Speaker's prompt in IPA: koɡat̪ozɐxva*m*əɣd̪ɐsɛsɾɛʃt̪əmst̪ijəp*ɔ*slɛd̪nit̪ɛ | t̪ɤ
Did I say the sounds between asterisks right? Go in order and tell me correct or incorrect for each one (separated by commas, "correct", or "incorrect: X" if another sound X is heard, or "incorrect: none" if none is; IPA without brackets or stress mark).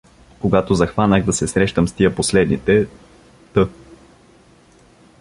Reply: incorrect: n, incorrect: o